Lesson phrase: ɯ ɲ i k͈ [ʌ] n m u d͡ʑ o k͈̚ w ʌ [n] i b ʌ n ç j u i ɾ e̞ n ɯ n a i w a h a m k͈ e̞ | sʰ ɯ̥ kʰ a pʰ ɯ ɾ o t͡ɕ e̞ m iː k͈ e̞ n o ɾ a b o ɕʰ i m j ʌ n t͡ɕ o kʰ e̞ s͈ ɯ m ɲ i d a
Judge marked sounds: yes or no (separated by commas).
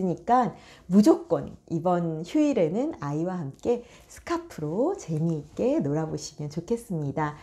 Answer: no, yes